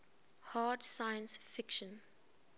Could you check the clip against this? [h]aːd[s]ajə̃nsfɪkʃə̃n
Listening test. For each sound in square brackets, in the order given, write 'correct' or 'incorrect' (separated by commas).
correct, correct